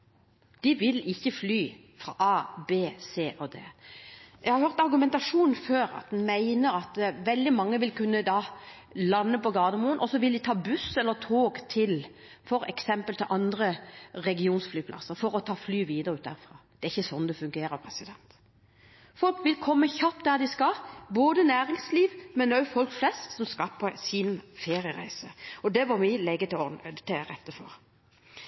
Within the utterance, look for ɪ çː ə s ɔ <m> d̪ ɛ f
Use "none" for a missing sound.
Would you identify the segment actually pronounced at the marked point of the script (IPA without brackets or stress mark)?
n